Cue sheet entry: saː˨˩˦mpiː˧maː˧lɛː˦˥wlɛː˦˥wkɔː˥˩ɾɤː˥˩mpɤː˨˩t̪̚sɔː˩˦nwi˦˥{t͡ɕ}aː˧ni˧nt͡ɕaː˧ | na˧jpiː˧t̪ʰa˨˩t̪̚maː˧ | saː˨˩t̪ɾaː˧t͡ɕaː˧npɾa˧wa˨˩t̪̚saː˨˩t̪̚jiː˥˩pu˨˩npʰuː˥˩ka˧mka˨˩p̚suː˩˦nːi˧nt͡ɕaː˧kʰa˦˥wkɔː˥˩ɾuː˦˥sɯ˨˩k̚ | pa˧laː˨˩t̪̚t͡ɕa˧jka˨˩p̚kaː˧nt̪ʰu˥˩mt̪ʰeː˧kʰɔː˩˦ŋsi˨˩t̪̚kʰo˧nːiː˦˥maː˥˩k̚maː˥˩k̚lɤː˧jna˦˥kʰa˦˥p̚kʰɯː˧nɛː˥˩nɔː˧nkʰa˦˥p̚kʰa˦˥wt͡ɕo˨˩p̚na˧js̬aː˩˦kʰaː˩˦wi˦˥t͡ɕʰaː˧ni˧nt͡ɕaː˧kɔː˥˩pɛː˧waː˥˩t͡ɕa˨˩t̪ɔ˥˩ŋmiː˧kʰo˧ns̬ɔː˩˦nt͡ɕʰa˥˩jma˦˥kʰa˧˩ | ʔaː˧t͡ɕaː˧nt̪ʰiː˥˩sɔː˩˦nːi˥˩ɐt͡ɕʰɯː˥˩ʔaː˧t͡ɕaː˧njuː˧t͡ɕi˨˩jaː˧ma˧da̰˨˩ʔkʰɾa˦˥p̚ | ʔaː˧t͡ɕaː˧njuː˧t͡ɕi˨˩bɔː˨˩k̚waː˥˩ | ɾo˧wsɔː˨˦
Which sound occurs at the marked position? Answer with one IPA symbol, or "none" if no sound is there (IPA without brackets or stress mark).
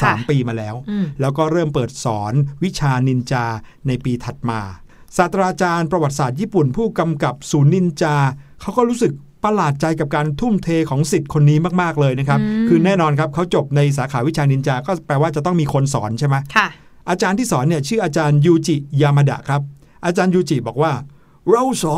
t͡ɕʰ